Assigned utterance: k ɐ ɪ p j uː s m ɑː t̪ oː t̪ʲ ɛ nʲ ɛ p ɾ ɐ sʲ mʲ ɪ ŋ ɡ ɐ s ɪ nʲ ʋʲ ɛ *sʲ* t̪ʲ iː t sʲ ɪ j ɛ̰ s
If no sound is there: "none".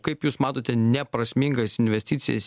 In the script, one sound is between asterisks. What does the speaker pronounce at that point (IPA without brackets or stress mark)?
sʲ